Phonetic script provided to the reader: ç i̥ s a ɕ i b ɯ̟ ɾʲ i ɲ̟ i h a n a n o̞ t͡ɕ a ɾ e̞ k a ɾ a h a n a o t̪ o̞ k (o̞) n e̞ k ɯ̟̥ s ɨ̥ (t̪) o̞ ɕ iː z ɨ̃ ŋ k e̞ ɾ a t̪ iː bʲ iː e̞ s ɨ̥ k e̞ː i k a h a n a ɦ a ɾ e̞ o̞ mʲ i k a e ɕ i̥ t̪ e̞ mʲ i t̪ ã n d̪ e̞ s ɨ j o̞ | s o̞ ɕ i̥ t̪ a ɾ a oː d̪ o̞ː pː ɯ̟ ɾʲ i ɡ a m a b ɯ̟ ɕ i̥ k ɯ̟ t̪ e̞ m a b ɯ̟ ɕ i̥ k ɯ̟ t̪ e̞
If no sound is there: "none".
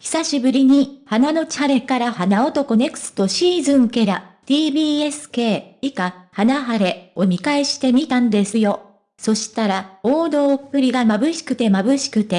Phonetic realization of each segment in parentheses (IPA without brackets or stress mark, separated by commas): o̞, t̪